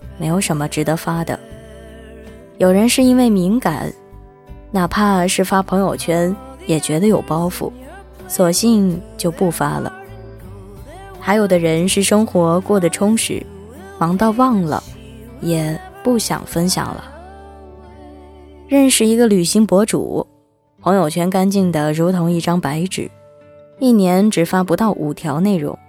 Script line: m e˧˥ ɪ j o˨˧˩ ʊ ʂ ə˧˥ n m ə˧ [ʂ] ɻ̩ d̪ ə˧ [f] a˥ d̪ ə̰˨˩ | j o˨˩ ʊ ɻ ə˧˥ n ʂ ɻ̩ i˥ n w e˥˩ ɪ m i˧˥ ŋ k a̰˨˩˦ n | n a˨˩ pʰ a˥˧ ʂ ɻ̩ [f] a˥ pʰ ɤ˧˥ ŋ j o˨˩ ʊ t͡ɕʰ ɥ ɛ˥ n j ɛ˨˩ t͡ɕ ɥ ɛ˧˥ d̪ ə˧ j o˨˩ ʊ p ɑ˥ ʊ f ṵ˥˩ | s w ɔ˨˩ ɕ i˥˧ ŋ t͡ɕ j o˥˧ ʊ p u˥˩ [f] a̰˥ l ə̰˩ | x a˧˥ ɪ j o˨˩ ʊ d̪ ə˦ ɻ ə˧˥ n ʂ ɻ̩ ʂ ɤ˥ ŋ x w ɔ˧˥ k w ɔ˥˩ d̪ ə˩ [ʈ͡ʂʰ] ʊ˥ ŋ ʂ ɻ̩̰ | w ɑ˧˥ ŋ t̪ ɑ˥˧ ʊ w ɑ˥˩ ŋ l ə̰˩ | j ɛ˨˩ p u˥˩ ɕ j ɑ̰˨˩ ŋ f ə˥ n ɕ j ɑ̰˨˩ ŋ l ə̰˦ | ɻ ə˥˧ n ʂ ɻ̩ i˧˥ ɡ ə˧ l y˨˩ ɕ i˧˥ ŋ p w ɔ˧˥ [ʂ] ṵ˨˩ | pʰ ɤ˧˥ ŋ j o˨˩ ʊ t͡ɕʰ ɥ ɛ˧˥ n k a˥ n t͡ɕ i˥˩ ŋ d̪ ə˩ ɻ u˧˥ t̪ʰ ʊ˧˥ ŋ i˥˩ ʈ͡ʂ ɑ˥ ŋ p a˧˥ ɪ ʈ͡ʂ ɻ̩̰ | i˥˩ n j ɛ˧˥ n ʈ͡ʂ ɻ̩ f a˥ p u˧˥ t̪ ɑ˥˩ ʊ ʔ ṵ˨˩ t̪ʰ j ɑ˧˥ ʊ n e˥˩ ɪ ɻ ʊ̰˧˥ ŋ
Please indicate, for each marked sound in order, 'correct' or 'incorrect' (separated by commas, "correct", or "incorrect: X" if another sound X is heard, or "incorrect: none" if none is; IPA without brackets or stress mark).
incorrect: ʈ͡ʂ, correct, correct, correct, correct, incorrect: ʈ͡ʂ